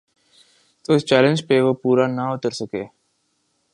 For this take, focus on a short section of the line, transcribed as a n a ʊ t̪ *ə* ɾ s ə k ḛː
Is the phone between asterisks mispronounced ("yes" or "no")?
no